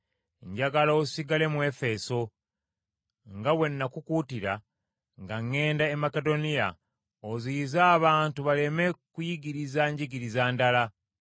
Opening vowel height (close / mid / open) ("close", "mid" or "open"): open